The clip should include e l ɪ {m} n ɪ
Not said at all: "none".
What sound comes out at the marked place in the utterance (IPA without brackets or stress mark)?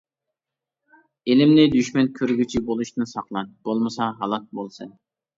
m